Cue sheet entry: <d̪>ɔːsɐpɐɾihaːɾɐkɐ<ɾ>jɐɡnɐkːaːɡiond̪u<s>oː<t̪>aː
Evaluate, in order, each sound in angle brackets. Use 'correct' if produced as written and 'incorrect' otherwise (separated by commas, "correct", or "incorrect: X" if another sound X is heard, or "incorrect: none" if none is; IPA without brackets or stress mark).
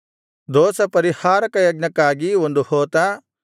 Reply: correct, incorrect: none, incorrect: h, correct